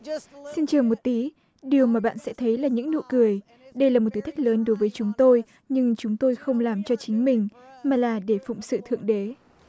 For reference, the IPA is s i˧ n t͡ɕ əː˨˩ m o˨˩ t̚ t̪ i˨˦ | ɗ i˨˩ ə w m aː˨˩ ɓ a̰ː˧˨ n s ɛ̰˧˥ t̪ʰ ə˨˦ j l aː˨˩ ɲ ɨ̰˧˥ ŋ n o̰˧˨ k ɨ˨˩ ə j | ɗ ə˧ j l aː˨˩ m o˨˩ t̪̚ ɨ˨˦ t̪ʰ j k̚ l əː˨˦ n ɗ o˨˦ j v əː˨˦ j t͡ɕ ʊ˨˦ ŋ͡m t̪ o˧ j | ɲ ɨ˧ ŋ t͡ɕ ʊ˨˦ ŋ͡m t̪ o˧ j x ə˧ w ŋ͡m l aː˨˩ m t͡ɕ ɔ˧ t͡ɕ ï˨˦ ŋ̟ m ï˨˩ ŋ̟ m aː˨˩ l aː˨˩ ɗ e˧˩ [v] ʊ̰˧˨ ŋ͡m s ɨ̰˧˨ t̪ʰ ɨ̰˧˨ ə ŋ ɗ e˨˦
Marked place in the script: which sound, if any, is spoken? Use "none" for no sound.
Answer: f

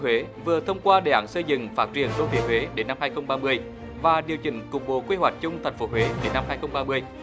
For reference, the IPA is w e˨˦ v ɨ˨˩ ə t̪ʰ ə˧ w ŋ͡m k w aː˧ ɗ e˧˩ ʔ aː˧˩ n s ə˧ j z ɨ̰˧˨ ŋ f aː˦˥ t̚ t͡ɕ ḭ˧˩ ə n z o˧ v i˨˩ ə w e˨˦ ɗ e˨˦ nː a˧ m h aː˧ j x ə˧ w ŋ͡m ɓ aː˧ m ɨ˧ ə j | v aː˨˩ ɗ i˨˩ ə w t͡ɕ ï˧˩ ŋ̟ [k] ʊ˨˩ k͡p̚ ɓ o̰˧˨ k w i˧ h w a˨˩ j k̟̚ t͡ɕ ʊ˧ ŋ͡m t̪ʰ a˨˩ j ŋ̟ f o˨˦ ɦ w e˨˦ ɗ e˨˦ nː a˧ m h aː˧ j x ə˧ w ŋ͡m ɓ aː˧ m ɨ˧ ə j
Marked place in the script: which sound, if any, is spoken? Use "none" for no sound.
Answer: k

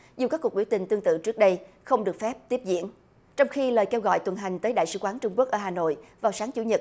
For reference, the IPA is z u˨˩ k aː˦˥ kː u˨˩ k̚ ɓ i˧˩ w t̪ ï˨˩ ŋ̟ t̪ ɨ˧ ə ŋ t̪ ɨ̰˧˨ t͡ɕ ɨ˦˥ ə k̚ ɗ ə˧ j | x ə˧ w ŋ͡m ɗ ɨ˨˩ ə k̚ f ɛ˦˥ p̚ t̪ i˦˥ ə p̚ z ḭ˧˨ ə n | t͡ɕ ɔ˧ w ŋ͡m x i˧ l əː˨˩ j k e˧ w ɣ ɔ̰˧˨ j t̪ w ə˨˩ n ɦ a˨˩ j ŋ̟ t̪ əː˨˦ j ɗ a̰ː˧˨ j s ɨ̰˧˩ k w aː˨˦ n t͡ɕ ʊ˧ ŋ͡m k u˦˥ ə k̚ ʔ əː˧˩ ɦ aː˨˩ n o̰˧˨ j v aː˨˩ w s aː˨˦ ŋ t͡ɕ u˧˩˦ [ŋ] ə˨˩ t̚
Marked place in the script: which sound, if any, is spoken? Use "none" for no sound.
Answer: ɲ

